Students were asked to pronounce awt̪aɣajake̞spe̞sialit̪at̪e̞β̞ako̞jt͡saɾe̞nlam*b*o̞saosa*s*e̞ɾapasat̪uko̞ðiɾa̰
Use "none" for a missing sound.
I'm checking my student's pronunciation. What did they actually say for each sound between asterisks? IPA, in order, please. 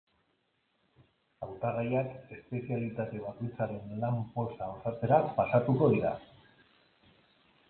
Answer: p, t͡s

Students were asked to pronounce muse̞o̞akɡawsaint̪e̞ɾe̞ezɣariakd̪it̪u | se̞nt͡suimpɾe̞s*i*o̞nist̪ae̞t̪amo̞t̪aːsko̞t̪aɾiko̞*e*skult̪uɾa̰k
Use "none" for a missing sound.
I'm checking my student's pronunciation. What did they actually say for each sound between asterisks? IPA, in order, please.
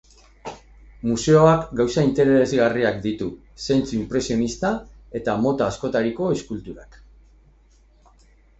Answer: i, e

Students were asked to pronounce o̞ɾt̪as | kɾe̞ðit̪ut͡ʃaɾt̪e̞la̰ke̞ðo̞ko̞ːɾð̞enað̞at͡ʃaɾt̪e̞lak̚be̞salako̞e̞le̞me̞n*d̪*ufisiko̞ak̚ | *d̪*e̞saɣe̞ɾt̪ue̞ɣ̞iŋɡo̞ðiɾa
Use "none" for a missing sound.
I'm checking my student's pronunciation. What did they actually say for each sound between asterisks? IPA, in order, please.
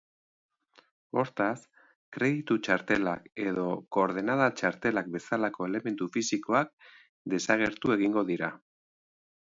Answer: t̪, d̪

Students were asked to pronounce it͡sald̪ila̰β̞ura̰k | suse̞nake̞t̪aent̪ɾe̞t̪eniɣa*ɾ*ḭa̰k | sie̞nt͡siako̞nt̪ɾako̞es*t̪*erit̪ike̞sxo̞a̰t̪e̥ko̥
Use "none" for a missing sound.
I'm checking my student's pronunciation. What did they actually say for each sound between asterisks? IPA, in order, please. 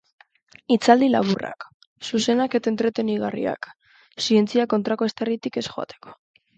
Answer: r, t̪

